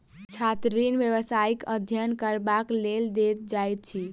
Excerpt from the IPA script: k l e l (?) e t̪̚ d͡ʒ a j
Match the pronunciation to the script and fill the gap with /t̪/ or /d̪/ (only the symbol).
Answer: d̪